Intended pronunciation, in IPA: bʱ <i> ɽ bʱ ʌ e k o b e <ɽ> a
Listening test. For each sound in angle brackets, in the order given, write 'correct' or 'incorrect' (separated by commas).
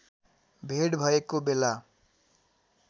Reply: incorrect, incorrect